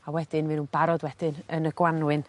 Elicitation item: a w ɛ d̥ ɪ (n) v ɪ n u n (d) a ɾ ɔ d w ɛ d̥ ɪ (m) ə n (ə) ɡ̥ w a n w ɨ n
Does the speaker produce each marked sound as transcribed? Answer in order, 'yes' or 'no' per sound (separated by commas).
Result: yes, no, no, yes